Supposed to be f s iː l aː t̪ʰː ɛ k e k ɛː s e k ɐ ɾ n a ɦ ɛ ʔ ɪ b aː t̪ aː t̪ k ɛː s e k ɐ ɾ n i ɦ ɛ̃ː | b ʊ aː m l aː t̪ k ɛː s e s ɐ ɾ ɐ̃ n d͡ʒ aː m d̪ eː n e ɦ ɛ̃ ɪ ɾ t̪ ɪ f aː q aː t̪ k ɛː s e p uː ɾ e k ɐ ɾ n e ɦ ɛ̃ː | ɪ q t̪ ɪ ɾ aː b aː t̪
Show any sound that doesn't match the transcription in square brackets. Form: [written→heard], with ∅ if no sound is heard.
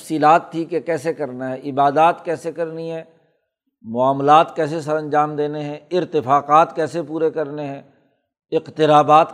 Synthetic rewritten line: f s iː l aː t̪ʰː [ɛ→i] k e k ɛː s e k ɐ ɾ n a ɦ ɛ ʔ ɪ b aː [t̪→d̪] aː t̪ k ɛː s e k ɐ ɾ n i ɦ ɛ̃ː | [b→m] ʊ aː m l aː t̪ k ɛː s e s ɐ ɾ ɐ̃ n d͡ʒ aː m d̪ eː n e ɦ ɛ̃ ɪ ɾ t̪ ɪ f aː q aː t̪ k ɛː s e p uː ɾ e k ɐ ɾ n e ɦ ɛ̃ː | ɪ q t̪ ɪ ɾ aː b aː t̪